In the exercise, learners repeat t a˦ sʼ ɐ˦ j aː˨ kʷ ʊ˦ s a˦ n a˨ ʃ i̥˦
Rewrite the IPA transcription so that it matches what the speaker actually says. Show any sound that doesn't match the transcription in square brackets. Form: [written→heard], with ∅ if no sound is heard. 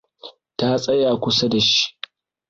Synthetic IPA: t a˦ sʼ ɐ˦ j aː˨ kʷ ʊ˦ s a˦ [n→d] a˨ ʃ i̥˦